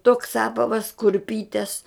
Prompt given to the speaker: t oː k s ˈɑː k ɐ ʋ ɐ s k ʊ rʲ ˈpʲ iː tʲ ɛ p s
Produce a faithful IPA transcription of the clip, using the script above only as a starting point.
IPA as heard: t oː k s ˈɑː p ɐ ʋ ɐ s k ʊ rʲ ˈpʲ iː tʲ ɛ s